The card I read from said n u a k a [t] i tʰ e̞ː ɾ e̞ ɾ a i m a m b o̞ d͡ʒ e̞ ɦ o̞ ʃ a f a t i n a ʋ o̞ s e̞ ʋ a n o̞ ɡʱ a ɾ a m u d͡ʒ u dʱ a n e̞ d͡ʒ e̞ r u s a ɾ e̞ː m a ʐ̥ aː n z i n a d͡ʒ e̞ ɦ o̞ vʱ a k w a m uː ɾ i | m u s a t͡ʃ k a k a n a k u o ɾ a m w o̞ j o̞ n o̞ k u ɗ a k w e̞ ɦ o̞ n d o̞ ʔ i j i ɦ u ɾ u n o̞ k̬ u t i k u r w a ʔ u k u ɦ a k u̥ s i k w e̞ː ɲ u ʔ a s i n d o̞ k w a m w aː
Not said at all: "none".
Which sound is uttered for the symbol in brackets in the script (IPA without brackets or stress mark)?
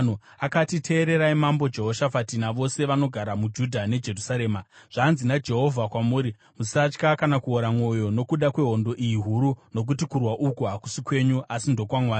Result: t